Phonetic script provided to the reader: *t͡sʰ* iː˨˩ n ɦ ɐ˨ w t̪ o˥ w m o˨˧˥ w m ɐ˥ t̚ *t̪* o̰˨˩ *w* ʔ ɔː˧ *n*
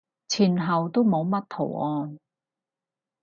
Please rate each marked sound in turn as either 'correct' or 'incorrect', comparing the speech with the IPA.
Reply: correct, incorrect: t̪ʰ, correct, correct

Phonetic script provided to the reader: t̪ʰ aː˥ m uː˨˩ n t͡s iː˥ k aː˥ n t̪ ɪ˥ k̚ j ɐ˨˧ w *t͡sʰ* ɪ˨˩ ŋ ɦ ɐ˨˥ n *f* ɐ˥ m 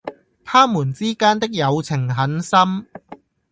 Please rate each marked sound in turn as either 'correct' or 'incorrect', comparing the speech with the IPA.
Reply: correct, incorrect: s

